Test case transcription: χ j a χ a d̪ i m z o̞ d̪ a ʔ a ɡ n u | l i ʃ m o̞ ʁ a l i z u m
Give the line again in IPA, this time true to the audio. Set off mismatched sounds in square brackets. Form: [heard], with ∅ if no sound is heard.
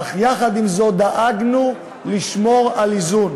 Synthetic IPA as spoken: χ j a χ a d̪ i m z o̞ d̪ a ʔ a ɡ n u | l i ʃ m o̞ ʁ a l i z u [n]